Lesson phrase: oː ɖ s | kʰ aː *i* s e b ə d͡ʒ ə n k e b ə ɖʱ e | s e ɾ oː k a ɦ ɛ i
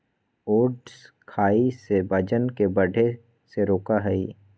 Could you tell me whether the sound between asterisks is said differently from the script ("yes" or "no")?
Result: no